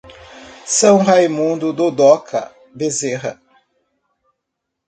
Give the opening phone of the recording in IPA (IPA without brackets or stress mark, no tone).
s